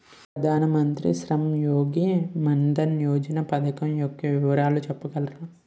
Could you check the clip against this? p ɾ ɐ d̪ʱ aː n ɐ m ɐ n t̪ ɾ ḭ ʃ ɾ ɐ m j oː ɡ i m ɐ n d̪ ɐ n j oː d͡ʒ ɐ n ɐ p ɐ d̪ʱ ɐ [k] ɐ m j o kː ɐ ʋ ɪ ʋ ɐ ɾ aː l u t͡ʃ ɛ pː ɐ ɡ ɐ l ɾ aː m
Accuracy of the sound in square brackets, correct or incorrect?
correct